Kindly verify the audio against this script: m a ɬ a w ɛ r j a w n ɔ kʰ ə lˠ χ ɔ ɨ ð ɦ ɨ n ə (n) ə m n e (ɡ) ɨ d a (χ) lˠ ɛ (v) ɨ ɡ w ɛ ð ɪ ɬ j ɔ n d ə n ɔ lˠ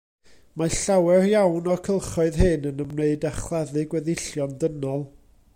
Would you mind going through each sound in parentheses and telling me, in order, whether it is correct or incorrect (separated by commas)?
correct, incorrect, correct, incorrect